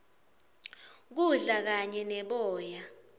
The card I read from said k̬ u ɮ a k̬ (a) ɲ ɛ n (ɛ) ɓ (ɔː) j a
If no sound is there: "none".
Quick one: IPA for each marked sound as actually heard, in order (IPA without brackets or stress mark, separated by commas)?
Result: a, ɛ, ɔː